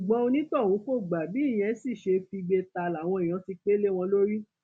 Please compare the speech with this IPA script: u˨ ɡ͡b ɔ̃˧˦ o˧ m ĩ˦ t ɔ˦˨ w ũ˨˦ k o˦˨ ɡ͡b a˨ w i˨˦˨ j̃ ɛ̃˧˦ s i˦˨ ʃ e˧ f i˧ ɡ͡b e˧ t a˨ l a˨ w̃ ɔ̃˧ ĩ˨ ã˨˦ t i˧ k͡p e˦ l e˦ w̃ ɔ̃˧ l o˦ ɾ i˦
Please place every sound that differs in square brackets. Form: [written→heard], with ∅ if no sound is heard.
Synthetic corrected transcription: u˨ ɡ͡b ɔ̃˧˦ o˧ [m→n] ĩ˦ t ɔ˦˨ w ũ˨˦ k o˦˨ ɡ͡b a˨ [w→b] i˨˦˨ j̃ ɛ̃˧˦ s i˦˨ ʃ e˧ f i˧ ɡ͡b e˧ t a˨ l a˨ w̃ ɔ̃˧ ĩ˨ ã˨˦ t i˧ k͡p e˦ l e˦ w̃ ɔ̃˧ l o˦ ɾ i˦